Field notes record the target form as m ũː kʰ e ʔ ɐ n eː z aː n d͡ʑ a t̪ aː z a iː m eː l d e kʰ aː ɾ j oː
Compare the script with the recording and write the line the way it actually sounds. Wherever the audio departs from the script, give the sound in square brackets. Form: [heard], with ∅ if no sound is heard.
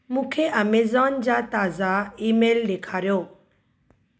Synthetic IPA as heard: m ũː kʰ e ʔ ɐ [m] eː z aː n d͡ʑ a t̪ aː z a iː m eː l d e kʰ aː ɾ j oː